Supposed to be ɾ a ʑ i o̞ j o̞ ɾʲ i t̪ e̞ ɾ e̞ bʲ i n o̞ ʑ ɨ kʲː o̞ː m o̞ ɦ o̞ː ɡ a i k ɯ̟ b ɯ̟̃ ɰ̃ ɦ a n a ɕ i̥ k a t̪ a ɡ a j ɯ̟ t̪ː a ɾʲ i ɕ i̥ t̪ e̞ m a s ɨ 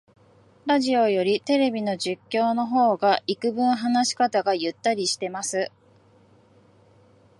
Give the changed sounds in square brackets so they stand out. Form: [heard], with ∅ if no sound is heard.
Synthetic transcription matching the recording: ɾ a ʑ i o̞ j o̞ ɾʲ i t̪ e̞ ɾ e̞ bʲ i n o̞ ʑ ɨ kʲː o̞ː [n] o̞ ɦ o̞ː ɡ a i k ɯ̟ b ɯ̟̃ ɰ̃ ɦ a n a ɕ i̥ k a t̪ a ɡ a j ɯ̟ t̪ː a ɾʲ i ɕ i̥ t̪ e̞ m a s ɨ